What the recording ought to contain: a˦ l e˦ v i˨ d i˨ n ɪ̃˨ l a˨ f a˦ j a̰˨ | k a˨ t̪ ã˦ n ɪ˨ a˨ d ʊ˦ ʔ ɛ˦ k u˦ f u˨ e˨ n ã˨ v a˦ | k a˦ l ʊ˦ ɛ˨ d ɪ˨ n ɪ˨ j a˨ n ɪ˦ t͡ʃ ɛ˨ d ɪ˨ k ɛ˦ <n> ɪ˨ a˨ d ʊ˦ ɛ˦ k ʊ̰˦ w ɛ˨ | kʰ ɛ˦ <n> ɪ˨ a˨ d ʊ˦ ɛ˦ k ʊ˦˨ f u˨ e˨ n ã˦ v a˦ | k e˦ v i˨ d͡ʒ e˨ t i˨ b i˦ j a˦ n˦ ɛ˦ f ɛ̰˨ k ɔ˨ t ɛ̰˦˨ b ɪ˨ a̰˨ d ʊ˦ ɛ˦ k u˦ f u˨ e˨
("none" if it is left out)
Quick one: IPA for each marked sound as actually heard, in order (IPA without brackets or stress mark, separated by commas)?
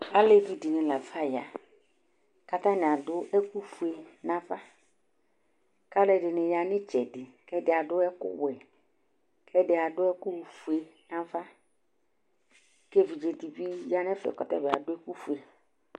d, d